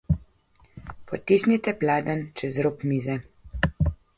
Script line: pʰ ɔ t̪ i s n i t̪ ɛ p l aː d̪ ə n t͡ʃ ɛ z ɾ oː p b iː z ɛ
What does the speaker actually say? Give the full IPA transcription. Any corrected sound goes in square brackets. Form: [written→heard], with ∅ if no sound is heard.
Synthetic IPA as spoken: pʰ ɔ t̪ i s n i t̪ ɛ p l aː d̪ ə n t͡ʃ ɛ z ɾ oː p [b→m] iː z ɛ